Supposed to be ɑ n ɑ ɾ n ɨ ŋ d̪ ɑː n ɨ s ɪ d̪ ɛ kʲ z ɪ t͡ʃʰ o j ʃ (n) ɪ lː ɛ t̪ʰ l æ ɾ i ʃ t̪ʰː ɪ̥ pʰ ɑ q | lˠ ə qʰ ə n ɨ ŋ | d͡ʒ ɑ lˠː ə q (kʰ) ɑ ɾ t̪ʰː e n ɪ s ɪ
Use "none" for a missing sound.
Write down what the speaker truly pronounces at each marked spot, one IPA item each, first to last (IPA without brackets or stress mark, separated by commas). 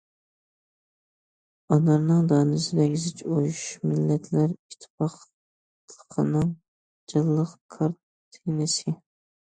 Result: m, kʰ